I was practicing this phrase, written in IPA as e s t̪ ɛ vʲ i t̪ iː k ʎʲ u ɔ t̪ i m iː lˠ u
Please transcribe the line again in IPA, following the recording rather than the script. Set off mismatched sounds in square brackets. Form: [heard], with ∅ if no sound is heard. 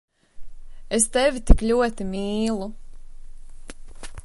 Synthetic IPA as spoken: e s t̪ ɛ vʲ i t̪ [i] k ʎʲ u ɔ t̪ i m iː lˠ u